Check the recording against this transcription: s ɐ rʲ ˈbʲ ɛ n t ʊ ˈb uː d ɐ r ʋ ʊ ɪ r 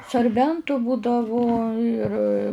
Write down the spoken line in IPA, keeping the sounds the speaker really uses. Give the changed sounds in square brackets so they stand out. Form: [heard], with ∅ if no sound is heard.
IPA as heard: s ɐ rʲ ˈbʲ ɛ n t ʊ ˈb uː d ɐ [∅] ʋ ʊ ɪ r